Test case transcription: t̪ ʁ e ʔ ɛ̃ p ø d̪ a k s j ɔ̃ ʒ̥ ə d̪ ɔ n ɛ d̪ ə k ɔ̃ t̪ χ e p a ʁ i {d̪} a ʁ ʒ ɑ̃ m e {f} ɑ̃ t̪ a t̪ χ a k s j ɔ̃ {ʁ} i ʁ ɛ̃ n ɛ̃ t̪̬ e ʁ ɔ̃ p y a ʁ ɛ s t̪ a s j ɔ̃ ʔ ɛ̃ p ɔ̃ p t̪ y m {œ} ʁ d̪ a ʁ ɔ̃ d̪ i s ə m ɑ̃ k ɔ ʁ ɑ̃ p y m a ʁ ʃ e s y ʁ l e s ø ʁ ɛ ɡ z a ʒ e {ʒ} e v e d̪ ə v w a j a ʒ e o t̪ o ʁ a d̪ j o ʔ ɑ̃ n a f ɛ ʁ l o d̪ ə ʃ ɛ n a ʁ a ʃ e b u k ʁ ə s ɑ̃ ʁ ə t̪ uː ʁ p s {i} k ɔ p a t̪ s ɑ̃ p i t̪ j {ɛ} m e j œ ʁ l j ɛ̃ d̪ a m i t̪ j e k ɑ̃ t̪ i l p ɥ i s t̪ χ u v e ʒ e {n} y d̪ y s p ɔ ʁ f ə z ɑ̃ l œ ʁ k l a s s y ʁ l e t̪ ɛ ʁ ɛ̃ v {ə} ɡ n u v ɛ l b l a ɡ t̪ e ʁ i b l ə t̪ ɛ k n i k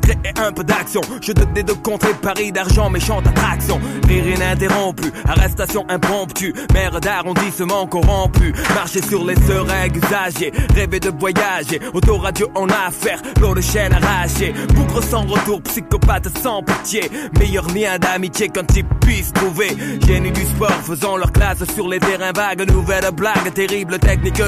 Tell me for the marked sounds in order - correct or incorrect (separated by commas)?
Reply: correct, incorrect, correct, incorrect, incorrect, correct, incorrect, correct, incorrect